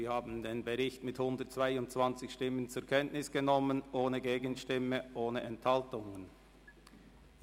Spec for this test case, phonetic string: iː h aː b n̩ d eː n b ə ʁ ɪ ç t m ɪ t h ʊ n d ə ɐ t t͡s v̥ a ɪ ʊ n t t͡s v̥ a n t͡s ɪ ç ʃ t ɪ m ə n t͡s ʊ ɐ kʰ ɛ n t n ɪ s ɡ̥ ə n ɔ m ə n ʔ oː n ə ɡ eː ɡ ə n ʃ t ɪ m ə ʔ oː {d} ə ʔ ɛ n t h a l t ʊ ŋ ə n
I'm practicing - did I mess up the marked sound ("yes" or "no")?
yes